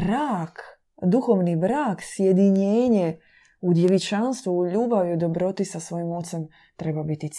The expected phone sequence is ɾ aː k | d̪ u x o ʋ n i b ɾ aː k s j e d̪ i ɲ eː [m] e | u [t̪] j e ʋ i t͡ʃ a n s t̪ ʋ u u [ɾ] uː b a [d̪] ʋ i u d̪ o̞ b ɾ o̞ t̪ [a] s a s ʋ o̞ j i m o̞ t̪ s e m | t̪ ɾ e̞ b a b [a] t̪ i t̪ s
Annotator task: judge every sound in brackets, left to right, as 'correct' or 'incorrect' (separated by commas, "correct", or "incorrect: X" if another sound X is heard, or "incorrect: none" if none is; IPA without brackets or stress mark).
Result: incorrect: ɲ, incorrect: d̪, incorrect: ʎ, incorrect: none, incorrect: i, incorrect: i